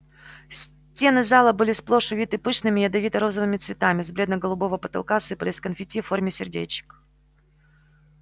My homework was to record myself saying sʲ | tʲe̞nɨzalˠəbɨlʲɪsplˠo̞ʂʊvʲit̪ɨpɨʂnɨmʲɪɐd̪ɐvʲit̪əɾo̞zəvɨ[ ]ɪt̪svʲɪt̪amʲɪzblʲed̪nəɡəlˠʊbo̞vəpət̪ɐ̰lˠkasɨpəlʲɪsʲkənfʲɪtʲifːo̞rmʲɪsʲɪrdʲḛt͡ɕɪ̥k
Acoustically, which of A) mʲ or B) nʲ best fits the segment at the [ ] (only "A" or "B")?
A